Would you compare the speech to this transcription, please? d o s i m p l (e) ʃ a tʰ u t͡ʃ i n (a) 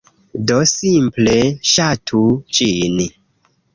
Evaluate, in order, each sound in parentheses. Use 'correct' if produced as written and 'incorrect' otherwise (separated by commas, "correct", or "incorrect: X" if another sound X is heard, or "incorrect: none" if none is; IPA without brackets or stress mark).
correct, incorrect: i